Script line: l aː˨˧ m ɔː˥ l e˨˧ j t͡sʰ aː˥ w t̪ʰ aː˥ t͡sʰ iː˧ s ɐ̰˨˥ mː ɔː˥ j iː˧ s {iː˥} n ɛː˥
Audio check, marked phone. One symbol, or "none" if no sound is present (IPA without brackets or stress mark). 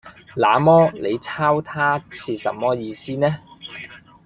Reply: iː˥